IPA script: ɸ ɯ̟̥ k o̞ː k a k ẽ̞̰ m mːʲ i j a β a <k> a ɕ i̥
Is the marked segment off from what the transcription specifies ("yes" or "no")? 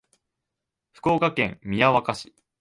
no